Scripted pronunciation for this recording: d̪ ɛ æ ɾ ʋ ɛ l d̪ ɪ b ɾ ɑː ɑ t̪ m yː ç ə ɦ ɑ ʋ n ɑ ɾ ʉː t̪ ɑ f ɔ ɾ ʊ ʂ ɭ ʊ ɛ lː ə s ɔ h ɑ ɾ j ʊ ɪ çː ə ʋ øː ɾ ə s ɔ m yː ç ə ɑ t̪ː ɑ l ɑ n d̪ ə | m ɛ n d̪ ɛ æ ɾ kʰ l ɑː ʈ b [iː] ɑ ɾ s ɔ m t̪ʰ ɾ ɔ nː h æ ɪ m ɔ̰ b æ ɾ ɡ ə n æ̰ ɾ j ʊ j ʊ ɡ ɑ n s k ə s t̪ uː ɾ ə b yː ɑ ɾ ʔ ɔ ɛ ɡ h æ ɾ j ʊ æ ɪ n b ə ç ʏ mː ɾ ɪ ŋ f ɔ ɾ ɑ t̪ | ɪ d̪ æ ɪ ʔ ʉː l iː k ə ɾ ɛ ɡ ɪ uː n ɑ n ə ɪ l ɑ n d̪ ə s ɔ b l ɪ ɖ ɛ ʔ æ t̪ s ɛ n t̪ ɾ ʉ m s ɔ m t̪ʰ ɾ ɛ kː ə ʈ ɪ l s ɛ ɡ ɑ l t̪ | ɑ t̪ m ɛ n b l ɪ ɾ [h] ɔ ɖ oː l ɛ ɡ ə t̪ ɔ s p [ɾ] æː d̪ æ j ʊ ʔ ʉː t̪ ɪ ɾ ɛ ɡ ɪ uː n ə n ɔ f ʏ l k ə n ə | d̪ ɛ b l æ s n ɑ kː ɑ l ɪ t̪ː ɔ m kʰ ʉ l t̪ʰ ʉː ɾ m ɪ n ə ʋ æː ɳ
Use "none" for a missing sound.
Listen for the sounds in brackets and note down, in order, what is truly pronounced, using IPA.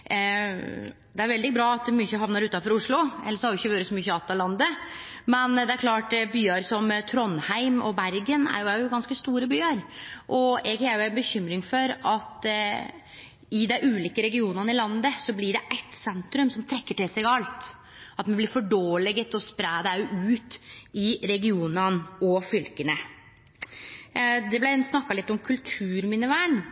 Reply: yː, f, ɾ

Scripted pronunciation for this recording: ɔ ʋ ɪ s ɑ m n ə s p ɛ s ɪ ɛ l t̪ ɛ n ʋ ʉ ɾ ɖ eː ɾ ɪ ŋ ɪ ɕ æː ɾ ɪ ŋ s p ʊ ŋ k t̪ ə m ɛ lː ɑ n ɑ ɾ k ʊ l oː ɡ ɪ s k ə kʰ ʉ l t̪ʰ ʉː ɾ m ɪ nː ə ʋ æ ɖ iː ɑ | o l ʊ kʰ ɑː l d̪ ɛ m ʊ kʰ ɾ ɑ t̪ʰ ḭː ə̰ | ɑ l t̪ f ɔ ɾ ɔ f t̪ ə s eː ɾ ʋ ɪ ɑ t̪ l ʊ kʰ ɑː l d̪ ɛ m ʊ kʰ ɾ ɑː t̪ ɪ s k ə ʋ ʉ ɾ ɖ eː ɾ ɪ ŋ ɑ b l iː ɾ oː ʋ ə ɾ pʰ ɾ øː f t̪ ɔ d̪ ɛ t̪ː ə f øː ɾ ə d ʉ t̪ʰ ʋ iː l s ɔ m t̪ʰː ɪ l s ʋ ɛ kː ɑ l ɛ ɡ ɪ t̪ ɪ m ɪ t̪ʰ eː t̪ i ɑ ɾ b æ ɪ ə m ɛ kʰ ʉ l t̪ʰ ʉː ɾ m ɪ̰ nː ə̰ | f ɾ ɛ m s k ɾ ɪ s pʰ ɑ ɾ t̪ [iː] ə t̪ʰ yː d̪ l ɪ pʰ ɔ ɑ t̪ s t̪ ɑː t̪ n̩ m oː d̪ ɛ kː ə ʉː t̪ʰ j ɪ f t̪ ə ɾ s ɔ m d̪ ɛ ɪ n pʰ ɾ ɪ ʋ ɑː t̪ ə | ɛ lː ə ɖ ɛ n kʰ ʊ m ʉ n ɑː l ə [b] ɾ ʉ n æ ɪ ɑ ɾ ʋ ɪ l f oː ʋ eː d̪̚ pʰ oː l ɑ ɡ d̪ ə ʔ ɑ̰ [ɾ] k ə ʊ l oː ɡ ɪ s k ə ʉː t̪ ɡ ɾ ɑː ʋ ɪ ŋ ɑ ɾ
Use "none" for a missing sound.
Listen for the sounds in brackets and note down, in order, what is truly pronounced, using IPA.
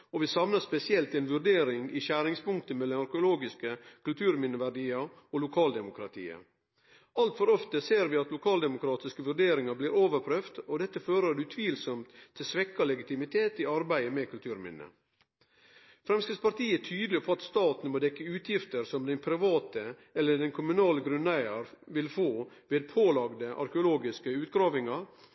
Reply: iː, ɡ, ɾ

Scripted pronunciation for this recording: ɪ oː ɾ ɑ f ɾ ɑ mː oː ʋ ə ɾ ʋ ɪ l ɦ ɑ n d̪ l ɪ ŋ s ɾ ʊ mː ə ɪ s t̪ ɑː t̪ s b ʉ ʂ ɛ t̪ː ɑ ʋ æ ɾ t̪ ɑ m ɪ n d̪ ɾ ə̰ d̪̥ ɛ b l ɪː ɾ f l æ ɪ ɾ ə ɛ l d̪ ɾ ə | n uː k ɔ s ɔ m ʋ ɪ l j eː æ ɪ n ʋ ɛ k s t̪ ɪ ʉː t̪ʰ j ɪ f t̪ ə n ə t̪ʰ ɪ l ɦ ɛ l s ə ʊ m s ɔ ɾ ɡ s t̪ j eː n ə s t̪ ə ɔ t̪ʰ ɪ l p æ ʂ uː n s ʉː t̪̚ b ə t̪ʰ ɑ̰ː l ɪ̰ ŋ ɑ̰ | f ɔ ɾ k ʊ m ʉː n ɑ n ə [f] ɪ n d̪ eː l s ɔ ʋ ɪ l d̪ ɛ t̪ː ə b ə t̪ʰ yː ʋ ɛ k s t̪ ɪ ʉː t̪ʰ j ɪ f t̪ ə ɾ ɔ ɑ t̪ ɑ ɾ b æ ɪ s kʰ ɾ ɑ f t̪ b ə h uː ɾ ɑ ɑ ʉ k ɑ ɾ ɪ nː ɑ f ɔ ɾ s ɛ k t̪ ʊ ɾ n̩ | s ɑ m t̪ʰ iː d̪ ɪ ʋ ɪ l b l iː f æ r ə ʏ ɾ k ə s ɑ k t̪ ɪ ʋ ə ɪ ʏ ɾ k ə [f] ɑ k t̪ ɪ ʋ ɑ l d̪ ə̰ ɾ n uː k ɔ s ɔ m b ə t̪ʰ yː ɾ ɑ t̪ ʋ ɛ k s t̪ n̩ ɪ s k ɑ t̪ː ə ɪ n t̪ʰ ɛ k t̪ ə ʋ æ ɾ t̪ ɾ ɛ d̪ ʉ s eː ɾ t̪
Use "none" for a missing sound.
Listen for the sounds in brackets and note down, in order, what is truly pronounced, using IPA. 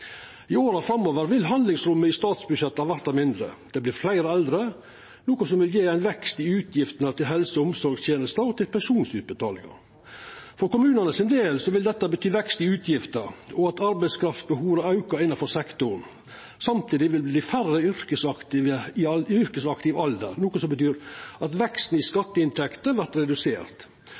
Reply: s, s

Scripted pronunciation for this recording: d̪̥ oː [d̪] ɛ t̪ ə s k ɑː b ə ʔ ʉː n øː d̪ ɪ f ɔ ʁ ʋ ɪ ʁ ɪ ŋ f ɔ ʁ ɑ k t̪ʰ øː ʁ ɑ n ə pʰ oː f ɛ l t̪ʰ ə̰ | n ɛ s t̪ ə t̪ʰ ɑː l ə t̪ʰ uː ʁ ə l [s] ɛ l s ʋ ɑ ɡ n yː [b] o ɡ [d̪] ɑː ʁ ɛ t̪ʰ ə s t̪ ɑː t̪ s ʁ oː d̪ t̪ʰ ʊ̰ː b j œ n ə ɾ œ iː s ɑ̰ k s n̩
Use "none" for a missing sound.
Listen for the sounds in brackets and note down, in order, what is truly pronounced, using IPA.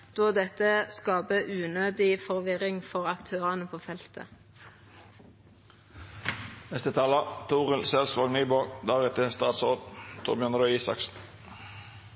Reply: d̪, s, b, d̪

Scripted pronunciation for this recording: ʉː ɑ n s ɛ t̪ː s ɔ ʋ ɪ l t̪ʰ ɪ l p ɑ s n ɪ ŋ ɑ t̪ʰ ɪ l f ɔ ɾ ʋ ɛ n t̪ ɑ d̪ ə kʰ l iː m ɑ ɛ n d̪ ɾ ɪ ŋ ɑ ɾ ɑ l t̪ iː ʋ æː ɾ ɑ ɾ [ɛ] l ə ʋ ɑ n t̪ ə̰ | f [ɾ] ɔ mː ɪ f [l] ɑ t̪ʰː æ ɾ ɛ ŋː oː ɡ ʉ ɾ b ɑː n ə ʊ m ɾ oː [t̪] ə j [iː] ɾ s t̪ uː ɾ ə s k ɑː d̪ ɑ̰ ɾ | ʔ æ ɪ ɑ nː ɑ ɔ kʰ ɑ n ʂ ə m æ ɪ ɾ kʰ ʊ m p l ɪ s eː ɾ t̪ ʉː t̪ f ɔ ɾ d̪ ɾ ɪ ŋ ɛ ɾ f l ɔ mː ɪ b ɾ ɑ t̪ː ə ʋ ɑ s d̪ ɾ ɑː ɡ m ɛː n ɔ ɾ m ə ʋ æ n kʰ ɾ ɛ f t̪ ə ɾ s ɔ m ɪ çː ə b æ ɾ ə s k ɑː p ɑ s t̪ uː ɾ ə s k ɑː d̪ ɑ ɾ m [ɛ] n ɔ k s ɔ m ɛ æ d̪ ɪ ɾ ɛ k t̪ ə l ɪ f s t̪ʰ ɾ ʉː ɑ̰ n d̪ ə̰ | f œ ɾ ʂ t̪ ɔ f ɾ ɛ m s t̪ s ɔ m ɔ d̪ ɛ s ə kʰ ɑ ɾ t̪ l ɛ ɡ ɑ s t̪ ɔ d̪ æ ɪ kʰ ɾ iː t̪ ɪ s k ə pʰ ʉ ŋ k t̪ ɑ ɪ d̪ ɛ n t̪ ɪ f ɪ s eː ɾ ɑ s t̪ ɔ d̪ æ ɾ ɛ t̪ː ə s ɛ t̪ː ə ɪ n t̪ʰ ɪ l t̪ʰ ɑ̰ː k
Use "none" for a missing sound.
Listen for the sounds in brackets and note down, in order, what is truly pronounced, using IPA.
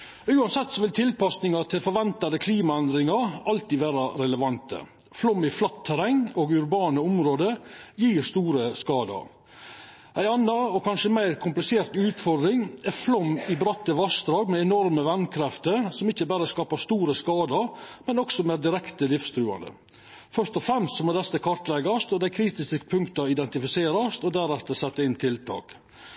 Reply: ɛ, l, l, d̪, iː, ɛ

